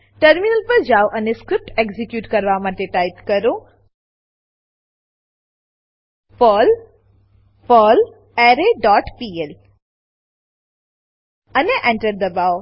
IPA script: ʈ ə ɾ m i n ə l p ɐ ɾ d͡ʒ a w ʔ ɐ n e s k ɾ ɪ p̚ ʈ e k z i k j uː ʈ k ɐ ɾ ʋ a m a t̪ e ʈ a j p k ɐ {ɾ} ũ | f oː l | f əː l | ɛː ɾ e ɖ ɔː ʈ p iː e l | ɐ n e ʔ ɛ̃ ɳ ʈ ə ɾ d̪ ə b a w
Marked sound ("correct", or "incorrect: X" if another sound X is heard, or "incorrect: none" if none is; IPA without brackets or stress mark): correct